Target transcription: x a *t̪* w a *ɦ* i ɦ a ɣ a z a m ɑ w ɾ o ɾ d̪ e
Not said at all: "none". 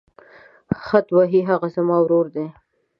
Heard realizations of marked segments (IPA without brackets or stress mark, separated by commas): t̪, ɦ